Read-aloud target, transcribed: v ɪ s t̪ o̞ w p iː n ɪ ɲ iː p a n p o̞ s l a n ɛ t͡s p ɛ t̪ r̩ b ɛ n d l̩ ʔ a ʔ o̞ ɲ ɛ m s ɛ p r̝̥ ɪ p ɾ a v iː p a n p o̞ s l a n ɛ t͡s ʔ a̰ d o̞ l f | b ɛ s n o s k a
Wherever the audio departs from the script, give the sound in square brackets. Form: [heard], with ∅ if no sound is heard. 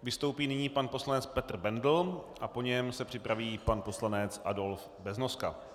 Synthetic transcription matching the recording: v ɪ s t̪ o̞ w p iː n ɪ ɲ iː p a n p o̞ s l a n ɛ t͡s p ɛ t̪ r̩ b ɛ n d l̩ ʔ a [p] o̞ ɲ ɛ m s ɛ p r̝̥ ɪ p ɾ a v iː p a n p o̞ s l a n ɛ t͡s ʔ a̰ d o̞ l f | b ɛ [z] n o s k a